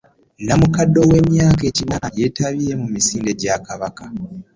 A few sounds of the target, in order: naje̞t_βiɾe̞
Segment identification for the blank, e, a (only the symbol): a